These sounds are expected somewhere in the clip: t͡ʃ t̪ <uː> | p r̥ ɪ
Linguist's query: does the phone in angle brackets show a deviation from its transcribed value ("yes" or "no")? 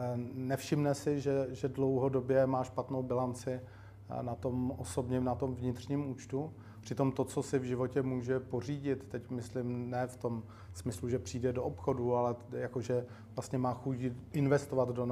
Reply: yes